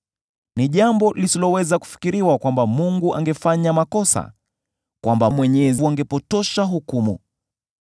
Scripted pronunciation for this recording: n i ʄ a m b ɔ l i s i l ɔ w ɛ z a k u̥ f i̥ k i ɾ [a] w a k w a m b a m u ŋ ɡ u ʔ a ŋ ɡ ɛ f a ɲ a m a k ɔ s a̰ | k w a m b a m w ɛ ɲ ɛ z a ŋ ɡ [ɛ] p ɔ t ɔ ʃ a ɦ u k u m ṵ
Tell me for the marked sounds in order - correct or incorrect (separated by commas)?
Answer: incorrect, correct